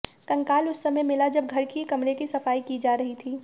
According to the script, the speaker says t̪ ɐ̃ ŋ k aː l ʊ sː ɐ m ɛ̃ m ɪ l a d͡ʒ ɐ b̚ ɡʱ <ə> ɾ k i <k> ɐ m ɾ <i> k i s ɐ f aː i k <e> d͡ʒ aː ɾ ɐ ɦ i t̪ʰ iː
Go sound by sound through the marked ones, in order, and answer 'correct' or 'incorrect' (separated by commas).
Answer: incorrect, correct, incorrect, incorrect